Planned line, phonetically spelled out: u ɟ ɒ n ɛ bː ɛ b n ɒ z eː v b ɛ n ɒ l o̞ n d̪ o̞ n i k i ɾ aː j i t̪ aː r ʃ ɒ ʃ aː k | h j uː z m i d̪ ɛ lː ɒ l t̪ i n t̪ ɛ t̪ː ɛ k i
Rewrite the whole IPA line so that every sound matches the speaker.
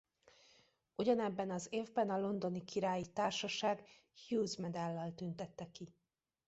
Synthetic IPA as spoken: u ɟ ɒ n ɛ bː ɛ n ɒ z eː v b ɛ n ɒ l o̞ n d̪ o̞ n i k i ɾ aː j i t̪ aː r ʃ ɒ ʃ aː ɡ | h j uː z m ɛ d̪ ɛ lː ɒ l t̪ y n t̪ ɛ t̪ː ɛ k i